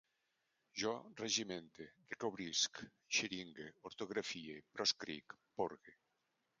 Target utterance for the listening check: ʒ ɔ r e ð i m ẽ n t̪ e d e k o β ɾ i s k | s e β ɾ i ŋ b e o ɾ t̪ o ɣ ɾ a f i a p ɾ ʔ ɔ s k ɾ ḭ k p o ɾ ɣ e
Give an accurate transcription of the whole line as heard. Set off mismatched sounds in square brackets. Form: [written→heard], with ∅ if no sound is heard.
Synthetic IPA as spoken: ʒ ɔ r e [ð→ʒ] i m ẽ n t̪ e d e k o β ɾ i s k | [s→ʃ] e [β→∅] ɾ i ŋ [b→ɡ] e o ɾ t̪ o ɣ ɾ a f i [a→e] p ɾ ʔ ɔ s k ɾ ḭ k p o ɾ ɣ e